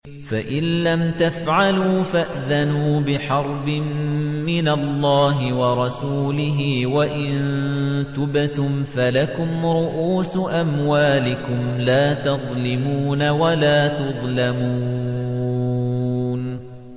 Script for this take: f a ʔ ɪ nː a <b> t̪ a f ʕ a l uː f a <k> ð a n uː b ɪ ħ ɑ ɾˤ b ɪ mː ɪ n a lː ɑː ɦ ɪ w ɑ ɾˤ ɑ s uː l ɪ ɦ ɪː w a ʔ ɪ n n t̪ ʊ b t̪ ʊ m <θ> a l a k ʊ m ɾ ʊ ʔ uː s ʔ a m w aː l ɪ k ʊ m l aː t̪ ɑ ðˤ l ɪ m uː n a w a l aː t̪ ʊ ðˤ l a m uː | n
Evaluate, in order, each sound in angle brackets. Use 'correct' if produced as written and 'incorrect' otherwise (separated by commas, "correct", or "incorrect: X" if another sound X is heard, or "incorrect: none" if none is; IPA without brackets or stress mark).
incorrect: m, incorrect: ʔ, incorrect: f